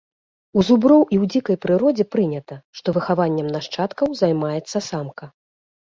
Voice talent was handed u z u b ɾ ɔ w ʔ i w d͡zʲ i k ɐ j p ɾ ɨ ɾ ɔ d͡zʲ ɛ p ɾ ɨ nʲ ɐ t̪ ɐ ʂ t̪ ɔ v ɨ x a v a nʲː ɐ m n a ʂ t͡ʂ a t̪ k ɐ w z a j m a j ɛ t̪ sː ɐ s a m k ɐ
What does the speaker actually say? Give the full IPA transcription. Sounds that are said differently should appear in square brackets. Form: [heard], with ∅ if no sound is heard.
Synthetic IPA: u z u b ɾ ɔ w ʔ i w d͡zʲ i k ɐ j p ɾ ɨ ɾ ɔ d͡zʲ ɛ p ɾ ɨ nʲ ɐ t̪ ɐ ʂ t̪ ɔ v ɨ x a v a nʲː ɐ m n a ʂ t͡ʂ a t̪ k ɐ w z a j m a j ɛ t̪ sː ɐ s a m k ɐ